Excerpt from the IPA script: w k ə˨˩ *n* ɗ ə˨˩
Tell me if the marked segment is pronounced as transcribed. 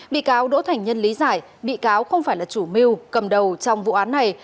no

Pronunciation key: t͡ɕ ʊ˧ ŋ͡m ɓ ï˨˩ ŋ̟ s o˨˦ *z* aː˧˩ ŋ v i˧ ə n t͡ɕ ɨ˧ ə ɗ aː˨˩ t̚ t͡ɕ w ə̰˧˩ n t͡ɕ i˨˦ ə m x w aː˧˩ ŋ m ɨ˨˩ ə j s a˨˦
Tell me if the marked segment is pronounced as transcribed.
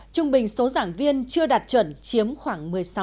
yes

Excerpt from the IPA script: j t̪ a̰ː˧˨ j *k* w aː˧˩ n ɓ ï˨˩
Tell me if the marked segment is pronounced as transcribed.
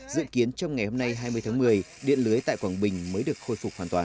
yes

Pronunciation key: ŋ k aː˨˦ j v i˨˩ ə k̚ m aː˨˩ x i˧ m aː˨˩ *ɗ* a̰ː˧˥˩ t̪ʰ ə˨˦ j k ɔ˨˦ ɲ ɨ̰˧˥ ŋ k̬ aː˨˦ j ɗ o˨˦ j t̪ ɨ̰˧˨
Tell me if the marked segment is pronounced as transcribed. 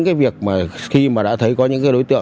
yes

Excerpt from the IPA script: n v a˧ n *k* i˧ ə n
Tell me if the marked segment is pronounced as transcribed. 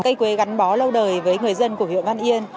no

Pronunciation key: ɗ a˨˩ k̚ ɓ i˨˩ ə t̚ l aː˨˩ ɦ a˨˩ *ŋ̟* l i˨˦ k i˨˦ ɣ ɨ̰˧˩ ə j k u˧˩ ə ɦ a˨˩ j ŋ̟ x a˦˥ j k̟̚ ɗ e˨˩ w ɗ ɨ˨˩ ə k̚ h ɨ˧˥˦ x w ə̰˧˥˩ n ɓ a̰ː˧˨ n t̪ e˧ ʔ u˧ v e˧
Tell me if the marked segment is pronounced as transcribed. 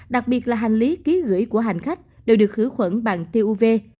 yes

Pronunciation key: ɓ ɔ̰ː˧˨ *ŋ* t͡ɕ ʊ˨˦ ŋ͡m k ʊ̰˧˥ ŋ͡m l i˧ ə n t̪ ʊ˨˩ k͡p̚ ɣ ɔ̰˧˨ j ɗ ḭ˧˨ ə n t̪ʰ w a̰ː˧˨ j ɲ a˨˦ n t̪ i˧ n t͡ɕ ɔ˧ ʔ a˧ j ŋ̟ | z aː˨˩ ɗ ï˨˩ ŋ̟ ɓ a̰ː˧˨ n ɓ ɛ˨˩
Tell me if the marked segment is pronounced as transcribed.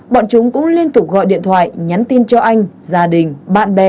no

